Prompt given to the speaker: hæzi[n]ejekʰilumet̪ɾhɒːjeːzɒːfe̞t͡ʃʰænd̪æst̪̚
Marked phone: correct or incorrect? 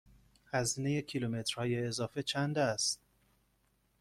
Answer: correct